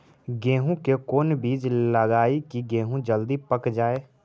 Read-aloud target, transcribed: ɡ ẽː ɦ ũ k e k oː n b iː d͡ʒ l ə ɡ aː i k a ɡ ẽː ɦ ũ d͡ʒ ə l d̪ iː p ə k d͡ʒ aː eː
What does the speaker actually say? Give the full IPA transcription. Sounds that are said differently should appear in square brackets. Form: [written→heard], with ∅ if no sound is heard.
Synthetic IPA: ɡ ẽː ɦ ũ k e k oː n b iː d͡ʒ l ə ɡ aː i k [a→i] ɡ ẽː ɦ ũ d͡ʒ ə l d̪ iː p ə k d͡ʒ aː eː